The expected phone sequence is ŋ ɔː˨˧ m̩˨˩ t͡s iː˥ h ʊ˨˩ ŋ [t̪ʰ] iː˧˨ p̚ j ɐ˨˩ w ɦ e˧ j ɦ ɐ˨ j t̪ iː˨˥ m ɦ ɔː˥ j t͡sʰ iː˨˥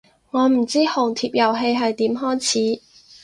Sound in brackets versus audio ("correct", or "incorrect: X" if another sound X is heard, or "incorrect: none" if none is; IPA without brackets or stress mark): correct